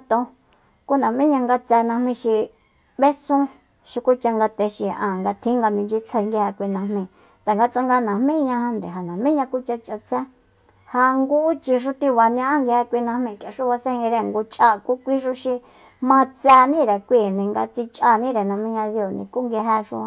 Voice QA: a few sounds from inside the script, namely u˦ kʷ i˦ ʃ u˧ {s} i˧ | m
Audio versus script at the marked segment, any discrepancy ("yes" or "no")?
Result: yes